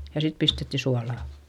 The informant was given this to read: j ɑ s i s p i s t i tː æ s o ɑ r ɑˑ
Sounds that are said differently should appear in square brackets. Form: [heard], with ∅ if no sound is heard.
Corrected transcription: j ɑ s i [t] p i s t [e] tː [i] s [u] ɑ [l] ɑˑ